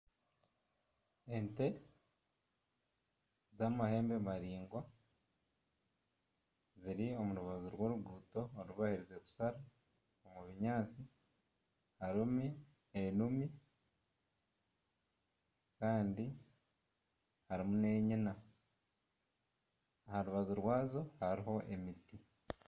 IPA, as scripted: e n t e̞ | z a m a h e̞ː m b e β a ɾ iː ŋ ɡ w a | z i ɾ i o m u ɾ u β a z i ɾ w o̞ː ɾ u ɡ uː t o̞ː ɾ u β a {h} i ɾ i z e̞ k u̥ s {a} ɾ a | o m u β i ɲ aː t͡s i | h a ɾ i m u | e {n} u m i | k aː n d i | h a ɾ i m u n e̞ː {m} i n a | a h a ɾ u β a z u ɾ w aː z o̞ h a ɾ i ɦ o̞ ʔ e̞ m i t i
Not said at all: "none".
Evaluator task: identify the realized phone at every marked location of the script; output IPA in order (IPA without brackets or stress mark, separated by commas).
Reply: h, a, n, ɲ